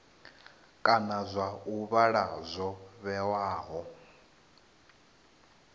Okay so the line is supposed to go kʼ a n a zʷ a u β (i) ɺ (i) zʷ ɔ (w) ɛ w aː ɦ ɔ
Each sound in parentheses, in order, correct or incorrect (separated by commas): incorrect, incorrect, incorrect